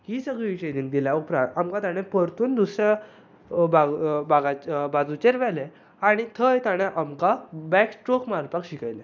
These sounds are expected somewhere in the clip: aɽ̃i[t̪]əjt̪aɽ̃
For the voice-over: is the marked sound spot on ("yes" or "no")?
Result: no